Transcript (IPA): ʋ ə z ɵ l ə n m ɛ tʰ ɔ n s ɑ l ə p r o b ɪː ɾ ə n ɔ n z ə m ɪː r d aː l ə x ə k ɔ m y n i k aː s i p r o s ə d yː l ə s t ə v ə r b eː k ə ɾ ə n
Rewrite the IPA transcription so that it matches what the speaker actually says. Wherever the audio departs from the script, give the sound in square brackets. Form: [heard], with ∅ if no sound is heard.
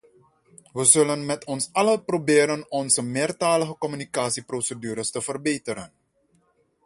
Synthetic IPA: ʋ ə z ɵ l ə n m ɛ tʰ ɔ n s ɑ l ə p r o b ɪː ɾ ə n ɔ n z ə m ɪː r [t] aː l ə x ə k ɔ m y n i k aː s i p r o s ə d yː [ɾ] ə s t ə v ə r b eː [t] ə ɾ ə n